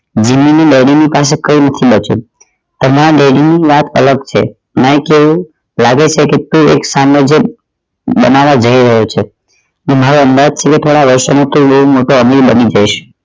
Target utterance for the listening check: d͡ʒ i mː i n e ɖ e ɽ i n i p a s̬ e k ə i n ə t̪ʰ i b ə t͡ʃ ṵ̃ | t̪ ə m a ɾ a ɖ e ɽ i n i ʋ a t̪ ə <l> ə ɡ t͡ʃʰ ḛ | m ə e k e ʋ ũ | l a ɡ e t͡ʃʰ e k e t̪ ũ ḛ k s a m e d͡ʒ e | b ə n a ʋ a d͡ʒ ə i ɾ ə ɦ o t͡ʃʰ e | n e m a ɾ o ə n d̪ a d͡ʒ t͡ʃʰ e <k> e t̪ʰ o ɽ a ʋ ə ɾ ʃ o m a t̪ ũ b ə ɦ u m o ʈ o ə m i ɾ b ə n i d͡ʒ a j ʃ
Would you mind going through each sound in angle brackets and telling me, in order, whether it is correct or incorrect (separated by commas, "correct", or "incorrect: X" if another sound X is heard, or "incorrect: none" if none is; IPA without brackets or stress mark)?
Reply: correct, correct